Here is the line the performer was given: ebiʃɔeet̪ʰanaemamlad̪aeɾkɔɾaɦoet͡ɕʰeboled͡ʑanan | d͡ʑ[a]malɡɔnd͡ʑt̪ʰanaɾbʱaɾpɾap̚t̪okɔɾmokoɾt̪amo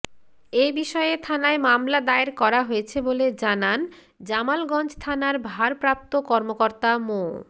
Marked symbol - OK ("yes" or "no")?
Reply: yes